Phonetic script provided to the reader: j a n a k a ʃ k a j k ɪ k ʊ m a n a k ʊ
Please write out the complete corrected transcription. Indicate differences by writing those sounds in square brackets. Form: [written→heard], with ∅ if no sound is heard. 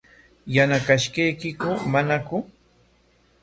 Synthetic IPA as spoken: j a n a k a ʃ k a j k ɪ k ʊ m a n a k ʊ